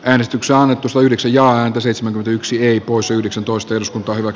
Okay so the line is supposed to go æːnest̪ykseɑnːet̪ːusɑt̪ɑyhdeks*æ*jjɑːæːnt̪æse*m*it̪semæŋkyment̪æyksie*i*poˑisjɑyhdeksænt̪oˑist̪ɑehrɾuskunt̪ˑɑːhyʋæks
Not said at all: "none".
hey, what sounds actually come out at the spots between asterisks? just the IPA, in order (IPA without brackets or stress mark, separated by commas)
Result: æ, none, i